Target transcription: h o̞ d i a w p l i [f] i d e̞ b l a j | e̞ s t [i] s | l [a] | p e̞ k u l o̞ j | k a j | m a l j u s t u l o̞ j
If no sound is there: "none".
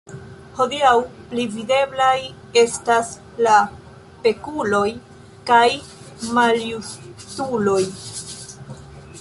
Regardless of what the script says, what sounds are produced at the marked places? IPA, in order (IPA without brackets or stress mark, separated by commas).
v, a, a